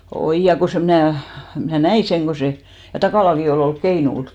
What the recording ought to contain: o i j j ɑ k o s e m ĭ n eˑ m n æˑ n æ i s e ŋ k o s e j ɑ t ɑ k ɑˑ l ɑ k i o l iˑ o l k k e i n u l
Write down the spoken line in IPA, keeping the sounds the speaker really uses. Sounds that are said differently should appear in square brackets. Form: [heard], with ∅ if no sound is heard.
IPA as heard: o i j j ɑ k o s e m ĭ n [æˑ] m n æˑ n æ i s e ŋ k o s e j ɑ t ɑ k ɑˑ l ɑ k i o l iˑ o l k k e i n u l